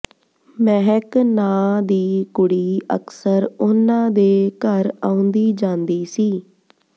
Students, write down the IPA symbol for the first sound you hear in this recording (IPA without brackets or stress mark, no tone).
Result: m